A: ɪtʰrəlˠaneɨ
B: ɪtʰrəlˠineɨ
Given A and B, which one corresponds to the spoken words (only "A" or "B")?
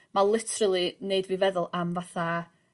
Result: B